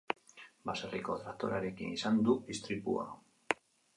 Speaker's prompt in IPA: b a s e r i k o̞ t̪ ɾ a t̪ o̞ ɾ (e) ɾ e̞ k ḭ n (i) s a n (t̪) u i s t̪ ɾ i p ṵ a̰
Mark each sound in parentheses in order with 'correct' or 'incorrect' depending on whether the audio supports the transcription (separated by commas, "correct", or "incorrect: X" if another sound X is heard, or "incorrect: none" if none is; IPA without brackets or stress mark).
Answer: incorrect: a, correct, incorrect: d̪